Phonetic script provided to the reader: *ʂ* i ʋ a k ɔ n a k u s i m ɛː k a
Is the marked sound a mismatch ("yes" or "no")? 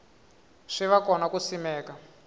no